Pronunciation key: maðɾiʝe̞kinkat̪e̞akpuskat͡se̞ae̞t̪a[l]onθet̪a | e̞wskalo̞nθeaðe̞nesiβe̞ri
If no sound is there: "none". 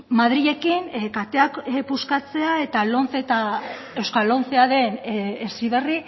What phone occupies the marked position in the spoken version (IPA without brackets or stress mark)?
l